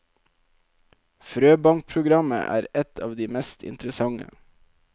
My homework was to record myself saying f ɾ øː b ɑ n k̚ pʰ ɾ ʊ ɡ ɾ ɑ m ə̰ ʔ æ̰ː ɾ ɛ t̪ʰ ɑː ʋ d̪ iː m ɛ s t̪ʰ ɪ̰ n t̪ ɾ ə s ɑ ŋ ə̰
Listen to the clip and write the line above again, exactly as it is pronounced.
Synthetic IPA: f ɾ øː b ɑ ŋ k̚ pʰ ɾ ʊ ɡ ɾ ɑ m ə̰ ʔ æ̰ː ɾ ɛ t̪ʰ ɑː ʋ d̪ iː m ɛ s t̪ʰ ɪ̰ n t̪ ɾ ə s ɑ ŋ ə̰